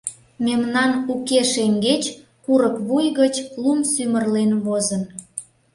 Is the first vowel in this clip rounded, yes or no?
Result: no